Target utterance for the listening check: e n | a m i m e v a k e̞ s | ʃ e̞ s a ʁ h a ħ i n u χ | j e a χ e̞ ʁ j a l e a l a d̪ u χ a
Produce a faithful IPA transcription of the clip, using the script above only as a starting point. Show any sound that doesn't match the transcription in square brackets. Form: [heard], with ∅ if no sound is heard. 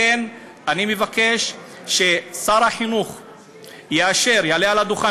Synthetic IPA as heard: e n | a [n] i m e v a k e̞ [ʃ] | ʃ e̞ s a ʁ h a ħ i n u χ | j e a [ʃ] e̞ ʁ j a l e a l a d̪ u χ a